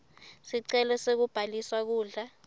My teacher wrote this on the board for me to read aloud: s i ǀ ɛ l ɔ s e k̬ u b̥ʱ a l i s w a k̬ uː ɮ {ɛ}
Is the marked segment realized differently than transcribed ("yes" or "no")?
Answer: yes